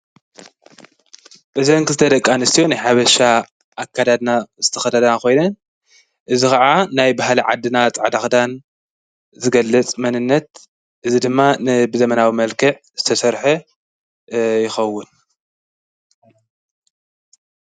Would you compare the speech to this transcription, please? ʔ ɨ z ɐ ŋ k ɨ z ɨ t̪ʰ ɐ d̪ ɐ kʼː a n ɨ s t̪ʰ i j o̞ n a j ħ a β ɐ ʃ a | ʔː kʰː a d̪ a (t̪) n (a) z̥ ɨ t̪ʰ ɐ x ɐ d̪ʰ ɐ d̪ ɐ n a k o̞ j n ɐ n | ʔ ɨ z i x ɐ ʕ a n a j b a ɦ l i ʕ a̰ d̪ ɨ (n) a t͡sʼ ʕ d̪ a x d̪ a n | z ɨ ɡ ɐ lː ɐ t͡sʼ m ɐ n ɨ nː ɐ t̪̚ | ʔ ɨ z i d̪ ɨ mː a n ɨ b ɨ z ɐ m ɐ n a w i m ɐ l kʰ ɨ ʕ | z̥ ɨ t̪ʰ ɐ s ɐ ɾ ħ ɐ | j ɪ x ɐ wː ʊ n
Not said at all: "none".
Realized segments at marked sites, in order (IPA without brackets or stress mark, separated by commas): d̪, a, n